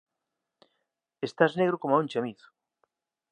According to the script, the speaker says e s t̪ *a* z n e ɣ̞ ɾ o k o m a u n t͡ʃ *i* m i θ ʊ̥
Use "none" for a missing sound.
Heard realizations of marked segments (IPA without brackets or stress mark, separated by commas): a, a